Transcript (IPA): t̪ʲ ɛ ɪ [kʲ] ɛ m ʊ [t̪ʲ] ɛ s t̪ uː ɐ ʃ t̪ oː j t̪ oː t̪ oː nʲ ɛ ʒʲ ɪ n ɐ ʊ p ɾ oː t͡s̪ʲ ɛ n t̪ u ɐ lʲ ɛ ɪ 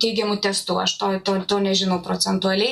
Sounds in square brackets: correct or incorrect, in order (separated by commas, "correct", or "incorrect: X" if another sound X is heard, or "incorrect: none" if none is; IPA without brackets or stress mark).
incorrect: ɡʲ, correct